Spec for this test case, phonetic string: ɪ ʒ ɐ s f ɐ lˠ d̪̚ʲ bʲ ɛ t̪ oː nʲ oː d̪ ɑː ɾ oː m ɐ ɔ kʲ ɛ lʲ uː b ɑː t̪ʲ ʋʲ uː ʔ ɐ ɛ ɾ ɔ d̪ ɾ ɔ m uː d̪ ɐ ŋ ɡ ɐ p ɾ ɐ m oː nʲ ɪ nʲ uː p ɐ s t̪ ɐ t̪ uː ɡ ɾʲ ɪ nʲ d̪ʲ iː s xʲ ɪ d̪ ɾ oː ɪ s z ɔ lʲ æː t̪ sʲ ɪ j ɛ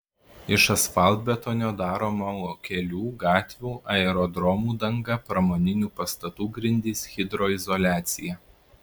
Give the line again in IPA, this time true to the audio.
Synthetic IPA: ɪ ʃ ɐ s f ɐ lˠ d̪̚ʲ bʲ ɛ t̪ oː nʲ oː d̪ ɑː ɾ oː m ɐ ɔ kʲ ɛ lʲ uː ɡ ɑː t̪ʲ ʋʲ uː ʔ ɐ ɛ ɾ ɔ d̪ ɾ ɔ m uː d̪ ɐ ŋ ɡ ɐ p ɾ ɐ m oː nʲ ɪ nʲ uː p ɐ s t̪ ɐ t̪ uː ɡ ɾʲ ɪ nʲ d̪ʲ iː s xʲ ɪ d̪ ɾ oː ɪ z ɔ lʲ æː t̪ sʲ ɪ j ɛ